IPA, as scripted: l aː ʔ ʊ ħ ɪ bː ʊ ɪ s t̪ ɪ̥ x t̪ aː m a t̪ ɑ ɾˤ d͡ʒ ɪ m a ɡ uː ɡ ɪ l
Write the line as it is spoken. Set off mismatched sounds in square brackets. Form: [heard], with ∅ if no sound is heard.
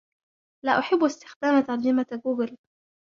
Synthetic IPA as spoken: l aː ʔ ʊ ħ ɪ bː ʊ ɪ s t̪ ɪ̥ x [d̪] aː m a t̪ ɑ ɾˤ d͡ʒ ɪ m a ɡ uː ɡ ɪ l